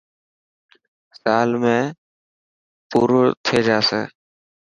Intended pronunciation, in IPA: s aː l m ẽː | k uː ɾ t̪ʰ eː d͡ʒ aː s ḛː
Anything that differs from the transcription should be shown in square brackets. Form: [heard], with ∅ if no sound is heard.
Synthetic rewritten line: s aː l m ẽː | [p] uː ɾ t̪ʰ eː d͡ʒ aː s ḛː